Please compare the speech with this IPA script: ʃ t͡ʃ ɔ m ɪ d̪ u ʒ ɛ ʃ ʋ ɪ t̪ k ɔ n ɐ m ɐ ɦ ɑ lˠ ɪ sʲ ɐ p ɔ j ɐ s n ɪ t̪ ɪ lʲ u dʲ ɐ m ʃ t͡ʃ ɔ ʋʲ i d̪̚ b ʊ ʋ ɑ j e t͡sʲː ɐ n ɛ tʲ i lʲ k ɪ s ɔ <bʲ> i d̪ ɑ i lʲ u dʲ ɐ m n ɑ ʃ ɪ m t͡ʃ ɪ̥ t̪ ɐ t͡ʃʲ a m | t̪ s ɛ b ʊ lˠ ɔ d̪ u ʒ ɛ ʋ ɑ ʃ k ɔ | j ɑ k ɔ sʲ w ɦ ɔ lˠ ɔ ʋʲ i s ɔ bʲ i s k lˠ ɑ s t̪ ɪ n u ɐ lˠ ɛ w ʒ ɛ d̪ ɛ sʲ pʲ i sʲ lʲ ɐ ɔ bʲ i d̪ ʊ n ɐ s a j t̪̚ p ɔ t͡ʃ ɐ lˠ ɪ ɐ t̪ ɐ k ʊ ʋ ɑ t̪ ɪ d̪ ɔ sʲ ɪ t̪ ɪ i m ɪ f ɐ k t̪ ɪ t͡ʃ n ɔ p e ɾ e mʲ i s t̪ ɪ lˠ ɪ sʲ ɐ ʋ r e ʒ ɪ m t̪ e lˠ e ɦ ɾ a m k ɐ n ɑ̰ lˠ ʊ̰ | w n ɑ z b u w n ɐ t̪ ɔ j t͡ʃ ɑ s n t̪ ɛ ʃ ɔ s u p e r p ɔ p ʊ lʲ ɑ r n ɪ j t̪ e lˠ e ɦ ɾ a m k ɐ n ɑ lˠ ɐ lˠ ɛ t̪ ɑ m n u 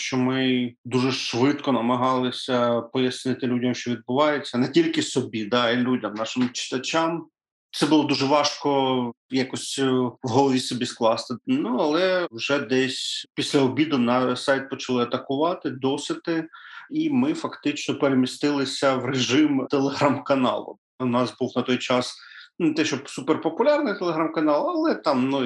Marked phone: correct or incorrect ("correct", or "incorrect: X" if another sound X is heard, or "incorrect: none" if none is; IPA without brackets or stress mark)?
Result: correct